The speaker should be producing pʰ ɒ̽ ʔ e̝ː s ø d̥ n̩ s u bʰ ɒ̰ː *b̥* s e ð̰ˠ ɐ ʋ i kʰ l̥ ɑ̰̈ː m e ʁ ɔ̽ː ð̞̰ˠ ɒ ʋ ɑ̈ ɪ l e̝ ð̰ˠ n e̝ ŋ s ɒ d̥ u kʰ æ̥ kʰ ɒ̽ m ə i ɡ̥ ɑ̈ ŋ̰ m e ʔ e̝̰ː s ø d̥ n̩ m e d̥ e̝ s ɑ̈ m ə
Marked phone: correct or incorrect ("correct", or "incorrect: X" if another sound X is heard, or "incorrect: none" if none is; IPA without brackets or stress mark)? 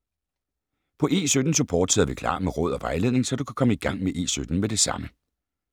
incorrect: d̥